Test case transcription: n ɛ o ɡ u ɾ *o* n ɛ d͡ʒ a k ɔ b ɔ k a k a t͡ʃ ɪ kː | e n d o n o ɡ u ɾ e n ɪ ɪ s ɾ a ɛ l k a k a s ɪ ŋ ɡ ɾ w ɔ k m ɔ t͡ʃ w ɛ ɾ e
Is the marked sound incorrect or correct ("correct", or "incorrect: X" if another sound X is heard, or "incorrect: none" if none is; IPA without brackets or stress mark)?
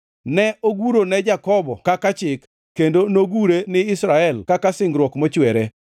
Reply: correct